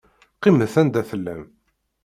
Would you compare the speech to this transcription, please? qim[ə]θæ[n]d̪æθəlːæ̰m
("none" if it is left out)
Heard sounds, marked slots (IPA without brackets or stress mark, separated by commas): ə, n